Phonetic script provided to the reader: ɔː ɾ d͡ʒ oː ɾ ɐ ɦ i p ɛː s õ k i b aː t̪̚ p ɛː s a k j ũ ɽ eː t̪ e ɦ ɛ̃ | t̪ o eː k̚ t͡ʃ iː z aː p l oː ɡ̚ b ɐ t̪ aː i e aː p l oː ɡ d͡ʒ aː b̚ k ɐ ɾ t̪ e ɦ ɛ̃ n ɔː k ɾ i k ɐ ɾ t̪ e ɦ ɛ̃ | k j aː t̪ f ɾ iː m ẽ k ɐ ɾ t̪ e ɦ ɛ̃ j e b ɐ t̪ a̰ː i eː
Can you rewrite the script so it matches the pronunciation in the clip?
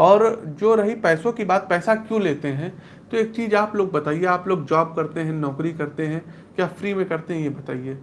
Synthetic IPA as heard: ɔː ɾ d͡ʒ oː ɾ ɐ ɦ i p ɛː s õ k i b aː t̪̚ p ɛː s a k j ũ l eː t̪ e ɦ ɛ̃ | t̪ o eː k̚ t͡ʃ iː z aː p l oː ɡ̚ b ɐ t̪ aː i e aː p l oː ɡ d͡ʒ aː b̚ k ɐ ɾ t̪ e ɦ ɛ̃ n ɔː k ɾ i k ɐ ɾ t̪ e ɦ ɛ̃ | k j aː f ɾ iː m ẽ k ɐ ɾ t̪ e ɦ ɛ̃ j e b ɐ t̪ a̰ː i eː